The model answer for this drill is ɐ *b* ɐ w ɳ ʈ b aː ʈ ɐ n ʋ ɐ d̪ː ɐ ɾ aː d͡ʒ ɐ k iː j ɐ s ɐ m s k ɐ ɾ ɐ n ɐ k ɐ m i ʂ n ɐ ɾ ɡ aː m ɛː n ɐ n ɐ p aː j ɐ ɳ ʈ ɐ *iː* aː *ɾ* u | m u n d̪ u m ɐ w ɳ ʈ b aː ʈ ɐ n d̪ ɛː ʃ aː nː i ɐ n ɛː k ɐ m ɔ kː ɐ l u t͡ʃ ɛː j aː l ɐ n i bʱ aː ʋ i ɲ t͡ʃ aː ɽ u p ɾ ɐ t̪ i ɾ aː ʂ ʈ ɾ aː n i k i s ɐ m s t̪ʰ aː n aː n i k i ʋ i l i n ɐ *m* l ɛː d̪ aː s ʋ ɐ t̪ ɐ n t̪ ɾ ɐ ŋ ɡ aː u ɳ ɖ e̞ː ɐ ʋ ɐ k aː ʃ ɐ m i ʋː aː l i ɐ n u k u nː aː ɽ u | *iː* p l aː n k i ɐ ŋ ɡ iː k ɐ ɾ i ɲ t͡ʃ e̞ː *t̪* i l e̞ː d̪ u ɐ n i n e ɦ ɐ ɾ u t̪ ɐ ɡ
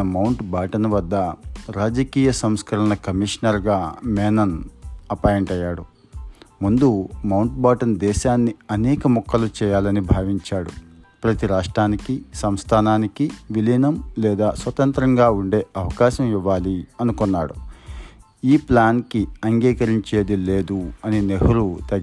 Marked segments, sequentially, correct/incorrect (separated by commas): incorrect, incorrect, incorrect, correct, correct, incorrect